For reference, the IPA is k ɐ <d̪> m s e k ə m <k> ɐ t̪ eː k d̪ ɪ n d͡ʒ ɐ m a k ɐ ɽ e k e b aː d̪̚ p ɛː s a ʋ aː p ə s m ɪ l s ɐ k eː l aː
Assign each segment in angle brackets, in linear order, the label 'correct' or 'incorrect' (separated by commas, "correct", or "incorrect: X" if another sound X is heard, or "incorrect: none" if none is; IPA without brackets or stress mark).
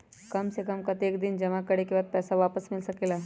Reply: incorrect: none, correct